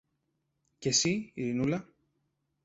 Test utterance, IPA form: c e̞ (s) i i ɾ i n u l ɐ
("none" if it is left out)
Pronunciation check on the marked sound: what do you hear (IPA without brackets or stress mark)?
s